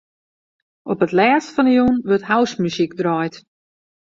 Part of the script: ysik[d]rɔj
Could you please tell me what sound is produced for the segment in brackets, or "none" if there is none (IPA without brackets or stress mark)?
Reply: d